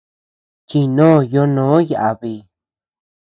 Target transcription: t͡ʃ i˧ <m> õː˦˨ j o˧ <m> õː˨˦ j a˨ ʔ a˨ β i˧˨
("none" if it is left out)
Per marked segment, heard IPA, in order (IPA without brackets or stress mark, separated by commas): n, n